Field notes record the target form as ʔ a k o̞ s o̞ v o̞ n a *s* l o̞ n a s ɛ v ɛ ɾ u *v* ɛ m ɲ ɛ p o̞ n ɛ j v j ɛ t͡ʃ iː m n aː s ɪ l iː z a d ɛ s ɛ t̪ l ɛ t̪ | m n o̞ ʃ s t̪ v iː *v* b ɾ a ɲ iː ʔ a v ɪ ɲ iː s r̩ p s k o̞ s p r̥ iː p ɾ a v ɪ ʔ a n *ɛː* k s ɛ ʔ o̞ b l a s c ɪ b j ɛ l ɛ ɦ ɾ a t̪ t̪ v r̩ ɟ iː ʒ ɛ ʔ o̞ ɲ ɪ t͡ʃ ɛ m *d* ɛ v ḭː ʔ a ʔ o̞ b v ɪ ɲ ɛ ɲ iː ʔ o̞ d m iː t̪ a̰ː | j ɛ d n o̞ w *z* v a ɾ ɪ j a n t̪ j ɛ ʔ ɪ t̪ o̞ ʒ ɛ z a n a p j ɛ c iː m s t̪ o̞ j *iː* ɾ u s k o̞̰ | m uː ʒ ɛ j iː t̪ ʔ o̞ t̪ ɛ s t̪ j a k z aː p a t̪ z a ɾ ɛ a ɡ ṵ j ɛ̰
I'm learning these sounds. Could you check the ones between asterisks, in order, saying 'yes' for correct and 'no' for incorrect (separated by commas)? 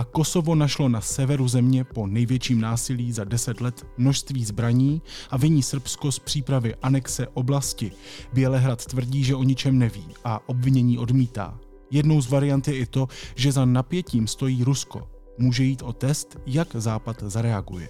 no, no, no, no, no, yes, yes